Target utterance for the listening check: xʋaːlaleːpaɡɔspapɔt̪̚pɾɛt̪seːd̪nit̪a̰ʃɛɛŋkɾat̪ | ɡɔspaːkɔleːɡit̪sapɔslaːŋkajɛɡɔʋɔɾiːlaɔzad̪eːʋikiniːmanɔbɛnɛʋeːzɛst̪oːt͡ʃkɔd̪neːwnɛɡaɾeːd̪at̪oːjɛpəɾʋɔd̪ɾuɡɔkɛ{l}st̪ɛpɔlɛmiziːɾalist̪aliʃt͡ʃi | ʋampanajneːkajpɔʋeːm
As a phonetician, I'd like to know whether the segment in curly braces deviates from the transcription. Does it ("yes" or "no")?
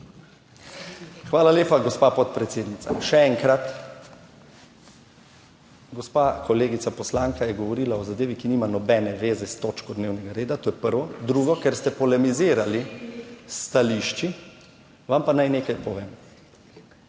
yes